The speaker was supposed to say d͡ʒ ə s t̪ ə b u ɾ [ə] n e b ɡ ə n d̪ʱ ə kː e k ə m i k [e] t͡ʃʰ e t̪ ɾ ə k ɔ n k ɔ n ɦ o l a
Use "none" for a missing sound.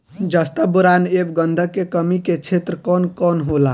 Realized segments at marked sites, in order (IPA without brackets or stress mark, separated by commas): a, e